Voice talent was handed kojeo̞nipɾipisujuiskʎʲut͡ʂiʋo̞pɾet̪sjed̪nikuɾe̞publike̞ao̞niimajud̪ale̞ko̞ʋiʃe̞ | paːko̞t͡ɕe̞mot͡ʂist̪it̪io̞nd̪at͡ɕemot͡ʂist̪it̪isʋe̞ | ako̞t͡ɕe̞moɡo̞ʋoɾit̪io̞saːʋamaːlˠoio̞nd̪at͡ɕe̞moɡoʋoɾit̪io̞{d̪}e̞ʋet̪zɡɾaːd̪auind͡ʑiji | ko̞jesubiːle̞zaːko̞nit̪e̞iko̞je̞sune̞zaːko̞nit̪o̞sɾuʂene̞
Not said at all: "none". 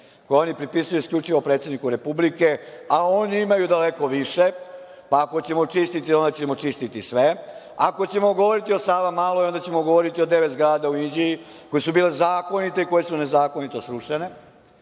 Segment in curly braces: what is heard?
d̪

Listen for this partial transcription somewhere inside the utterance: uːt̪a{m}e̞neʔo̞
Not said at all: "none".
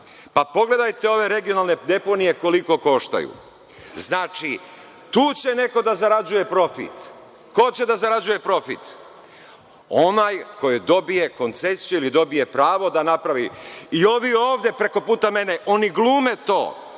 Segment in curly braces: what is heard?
m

